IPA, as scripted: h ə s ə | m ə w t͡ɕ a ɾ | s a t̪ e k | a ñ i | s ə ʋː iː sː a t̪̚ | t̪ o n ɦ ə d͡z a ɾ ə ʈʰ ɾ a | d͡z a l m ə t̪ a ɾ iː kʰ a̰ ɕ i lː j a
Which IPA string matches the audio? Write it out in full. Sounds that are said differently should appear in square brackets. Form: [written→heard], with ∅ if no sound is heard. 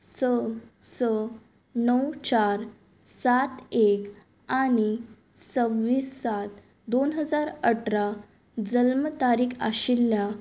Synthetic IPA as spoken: [h→s] ə s ə | [m→n] ə w t͡ɕ a ɾ | s a t̪ e k | a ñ i | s ə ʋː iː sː a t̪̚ | [t̪→d̪] o n ɦ ə d͡z a ɾ ə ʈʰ ɾ a | d͡z [a→ə] l m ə t̪ a ɾ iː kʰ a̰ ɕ i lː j a